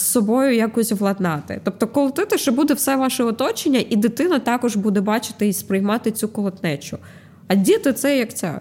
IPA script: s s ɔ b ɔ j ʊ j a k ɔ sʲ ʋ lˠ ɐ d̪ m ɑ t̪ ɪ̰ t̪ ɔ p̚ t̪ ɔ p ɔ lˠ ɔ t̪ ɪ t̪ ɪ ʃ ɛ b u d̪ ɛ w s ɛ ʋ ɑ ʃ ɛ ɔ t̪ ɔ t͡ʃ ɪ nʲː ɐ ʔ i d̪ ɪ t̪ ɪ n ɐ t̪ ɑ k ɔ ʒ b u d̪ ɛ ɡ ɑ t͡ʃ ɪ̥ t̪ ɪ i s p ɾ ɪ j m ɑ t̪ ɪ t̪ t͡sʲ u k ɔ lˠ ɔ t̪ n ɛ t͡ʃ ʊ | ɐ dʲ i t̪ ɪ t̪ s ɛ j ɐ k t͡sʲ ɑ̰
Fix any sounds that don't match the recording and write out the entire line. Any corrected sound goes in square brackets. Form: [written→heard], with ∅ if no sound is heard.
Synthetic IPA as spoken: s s ɔ b ɔ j ʊ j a k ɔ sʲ ʋ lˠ ɐ d̪ [m→n] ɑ t̪ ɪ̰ t̪ ɔ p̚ t̪ ɔ [p→k] ɔ lˠ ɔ t̪ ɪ t̪ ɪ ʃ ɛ b u d̪ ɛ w s ɛ ʋ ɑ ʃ ɛ ɔ t̪ ɔ t͡ʃ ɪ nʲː ɐ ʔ i d̪ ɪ t̪ ɪ n ɐ t̪ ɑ k ɔ ʒ b u d̪ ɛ [ɡ→b] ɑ t͡ʃ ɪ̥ t̪ ɪ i s p ɾ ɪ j m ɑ t̪ ɪ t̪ t͡sʲ u k ɔ lˠ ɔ t̪ n ɛ t͡ʃ ʊ | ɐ dʲ i t̪ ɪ t̪ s ɛ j ɐ k t͡sʲ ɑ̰